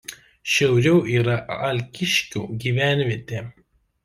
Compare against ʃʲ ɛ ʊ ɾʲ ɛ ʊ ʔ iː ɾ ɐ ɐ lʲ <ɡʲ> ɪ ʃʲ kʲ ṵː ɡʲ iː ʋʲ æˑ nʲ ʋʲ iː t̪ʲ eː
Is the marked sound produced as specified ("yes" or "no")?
no